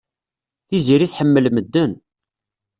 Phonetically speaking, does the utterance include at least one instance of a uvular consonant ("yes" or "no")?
no